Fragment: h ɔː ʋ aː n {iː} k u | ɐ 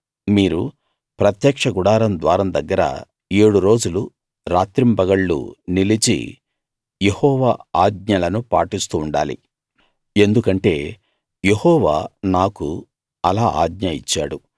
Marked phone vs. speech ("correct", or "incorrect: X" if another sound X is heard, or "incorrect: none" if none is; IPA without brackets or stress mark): incorrect: aː